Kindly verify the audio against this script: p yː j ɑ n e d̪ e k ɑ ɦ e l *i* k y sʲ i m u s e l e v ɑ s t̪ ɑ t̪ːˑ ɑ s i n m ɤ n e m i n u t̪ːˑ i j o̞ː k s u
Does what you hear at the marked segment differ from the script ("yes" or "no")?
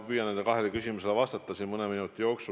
yes